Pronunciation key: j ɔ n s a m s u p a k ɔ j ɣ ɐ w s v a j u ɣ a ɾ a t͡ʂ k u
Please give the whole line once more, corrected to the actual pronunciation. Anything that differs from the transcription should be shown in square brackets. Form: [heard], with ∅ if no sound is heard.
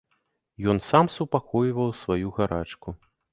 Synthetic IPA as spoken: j ɔ n s a m s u p a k ɔ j [v] ɐ w s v a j u ɣ a ɾ a t͡ʂ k u